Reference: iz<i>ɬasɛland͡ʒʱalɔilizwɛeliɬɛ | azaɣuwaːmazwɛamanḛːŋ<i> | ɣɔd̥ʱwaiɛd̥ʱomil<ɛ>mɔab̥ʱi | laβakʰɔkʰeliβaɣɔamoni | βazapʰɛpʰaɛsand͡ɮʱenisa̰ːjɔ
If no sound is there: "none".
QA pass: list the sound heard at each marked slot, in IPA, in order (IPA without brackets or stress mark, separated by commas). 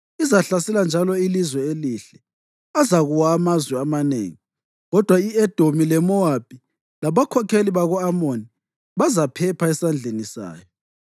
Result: a, i, ɛ